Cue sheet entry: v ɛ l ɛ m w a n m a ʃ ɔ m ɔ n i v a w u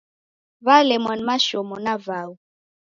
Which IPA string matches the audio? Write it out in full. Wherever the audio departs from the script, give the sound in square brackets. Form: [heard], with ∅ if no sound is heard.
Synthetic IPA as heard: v [a] l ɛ m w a n m a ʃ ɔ m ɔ n [a] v a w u